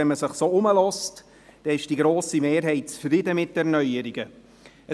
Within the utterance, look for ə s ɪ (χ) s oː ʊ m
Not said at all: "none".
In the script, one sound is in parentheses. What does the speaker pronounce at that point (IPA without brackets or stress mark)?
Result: χ